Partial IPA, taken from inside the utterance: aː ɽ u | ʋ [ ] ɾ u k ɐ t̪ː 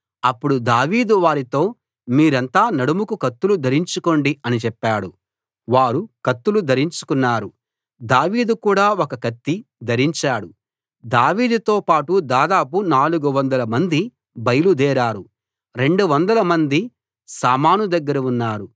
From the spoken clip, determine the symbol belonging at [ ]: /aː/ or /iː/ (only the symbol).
aː